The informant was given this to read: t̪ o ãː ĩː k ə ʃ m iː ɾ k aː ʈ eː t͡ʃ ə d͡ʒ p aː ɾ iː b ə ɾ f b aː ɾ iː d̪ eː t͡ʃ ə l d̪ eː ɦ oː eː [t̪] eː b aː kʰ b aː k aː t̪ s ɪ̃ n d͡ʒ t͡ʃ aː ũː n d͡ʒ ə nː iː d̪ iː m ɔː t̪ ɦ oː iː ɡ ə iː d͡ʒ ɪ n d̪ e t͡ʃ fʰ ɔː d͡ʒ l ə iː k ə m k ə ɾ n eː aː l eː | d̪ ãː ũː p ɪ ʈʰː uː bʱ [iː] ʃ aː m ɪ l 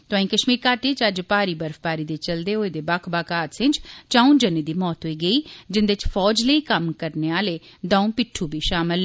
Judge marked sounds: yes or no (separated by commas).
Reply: no, yes